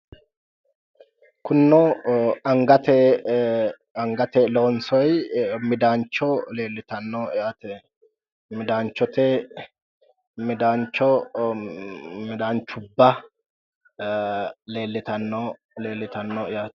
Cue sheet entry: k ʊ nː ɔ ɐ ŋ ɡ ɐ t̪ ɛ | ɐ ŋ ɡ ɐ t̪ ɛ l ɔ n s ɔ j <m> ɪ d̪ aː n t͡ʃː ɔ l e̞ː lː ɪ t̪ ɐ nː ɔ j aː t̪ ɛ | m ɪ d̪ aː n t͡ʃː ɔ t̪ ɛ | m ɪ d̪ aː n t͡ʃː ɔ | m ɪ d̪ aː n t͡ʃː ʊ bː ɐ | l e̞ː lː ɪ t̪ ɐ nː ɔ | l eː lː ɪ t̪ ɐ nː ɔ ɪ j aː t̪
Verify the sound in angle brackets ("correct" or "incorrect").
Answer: correct